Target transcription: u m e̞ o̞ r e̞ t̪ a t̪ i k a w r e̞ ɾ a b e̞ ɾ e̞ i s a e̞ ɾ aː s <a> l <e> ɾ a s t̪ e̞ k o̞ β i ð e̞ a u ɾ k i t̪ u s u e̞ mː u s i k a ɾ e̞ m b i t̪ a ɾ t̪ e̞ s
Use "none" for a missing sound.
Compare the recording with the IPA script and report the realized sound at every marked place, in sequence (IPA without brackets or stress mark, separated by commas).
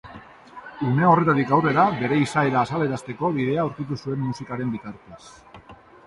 a, e